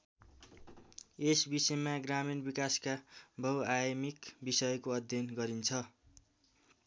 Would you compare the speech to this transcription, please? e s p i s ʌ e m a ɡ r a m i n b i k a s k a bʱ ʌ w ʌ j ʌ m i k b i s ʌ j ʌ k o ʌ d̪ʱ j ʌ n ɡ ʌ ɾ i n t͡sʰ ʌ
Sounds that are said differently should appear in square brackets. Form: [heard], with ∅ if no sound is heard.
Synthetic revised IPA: e s [b] i s ʌ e m a ɡ r a m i n b i k a s k a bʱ ʌ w [a] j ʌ m i k b i s ʌ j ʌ k o ʌ d̪ʱ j ʌ n ɡ ʌ ɾ i n t͡sʰ ʌ

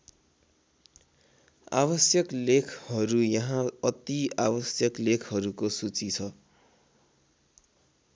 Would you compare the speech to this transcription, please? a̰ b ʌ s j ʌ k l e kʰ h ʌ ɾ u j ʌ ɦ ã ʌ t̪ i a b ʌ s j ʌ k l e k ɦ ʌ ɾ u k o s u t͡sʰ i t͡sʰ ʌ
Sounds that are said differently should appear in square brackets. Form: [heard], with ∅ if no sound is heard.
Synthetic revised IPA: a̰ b ʌ s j ʌ k l e kʰ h ʌ ɾ u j ʌ ɦ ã ʌ t̪ i a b ʌ s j ʌ k l e [kʰ] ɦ ʌ ɾ u k o s u [t͡s] i t͡sʰ ʌ

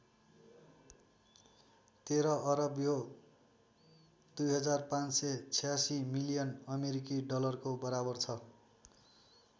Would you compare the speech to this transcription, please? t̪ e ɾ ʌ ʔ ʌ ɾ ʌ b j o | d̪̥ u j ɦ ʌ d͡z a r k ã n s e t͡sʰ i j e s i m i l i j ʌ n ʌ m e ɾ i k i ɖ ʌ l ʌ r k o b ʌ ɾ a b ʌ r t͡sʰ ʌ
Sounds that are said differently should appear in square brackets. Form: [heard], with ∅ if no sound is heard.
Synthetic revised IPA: t̪ e ɾ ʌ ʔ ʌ ɾ ʌ b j o | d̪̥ u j ɦ ʌ d͡z a r [p] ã n s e t͡sʰ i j [a] s i m i l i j ʌ n ʌ m e ɾ i k i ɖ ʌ l ʌ r k o b ʌ ɾ a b ʌ r t͡sʰ ʌ

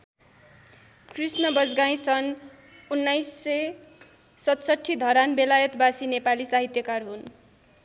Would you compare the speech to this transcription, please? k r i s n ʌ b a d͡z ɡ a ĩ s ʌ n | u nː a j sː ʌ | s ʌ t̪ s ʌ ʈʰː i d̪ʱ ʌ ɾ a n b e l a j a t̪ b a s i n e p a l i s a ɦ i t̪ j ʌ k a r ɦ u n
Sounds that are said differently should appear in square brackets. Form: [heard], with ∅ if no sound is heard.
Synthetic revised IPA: k r i s n ʌ b [ʌ] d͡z ɡ a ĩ s ʌ n | u nː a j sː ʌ | s ʌ t̪ s ʌ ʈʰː i d̪ʱ ʌ ɾ a n b e l a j [ʌ] t̪ b a s i n e p a l i s a ɦ i t̪ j ʌ k a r ɦ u n

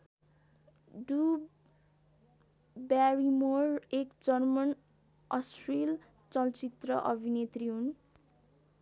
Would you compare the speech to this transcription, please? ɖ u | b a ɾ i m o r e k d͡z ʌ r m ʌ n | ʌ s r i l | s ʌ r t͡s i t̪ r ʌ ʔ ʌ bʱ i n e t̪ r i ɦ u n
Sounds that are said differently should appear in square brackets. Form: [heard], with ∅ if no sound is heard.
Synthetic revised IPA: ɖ u | b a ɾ i m o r e k d͡z ʌ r m ʌ n | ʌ s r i l | [t͡s] ʌ [l] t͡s i t̪ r ʌ ʔ ʌ bʱ i n e t̪ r i ɦ u n

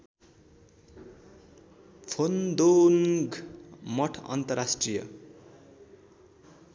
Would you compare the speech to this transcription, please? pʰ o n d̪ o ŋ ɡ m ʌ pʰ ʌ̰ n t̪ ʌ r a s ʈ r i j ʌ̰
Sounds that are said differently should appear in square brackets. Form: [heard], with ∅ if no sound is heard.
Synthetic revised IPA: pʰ o n d̪ o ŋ ɡ m ʌ [ʈʰ] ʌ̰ n t̪ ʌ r a s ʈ r i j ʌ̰

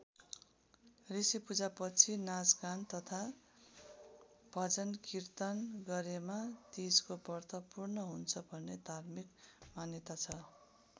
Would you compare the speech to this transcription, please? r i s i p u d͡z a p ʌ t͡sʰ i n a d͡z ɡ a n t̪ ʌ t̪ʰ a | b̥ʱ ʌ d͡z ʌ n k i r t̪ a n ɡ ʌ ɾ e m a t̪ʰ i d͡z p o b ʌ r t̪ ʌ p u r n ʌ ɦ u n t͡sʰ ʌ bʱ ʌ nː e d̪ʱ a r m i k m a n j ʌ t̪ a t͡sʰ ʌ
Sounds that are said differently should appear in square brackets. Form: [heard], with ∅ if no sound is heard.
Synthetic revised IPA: r i s i p u d͡z a p ʌ t͡sʰ i n a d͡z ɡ a n t̪ ʌ t̪ʰ a | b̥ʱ ʌ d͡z ʌ n k i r t̪ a n ɡ ʌ ɾ e m a [t̪] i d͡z [k] o b ʌ r t̪ ʌ p u r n ʌ ɦ u n t͡sʰ ʌ bʱ ʌ nː e d̪ʱ a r m i k m a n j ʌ t̪ a t͡sʰ ʌ

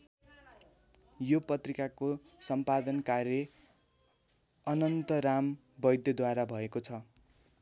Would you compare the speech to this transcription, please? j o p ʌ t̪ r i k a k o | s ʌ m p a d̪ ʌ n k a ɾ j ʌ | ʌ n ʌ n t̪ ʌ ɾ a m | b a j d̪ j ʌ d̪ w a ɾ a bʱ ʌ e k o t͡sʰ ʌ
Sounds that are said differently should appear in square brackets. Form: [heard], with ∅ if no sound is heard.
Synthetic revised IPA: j o p ʌ t̪ r i k a k o | s ʌ m p a d̪ ʌ n k a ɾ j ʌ | ʌ n ʌ n t̪ ʌ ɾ a m | b [ʌ] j d̪ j ʌ d̪ w a ɾ a bʱ ʌ e k o t͡sʰ ʌ

